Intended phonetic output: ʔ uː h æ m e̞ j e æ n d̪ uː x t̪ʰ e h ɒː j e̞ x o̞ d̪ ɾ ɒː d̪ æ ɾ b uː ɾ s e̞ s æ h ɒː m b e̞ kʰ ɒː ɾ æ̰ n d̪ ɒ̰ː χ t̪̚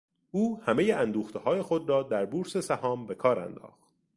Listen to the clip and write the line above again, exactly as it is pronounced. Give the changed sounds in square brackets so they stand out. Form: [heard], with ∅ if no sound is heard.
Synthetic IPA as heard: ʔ uː h æ m e̞ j e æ n d̪ uː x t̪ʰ e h ɒː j e̞ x o̞ d̪ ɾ ɒː d̪ æ ɾ b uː ɾ s e̞ s æ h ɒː m b e̞ kʰ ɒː ɾ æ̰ n d̪ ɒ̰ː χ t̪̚